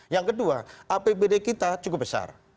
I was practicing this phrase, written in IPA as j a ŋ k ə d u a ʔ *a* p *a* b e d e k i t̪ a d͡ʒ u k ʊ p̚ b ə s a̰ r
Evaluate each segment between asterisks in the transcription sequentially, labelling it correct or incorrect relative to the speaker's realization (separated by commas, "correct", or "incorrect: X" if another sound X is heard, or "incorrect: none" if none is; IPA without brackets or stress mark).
correct, incorrect: e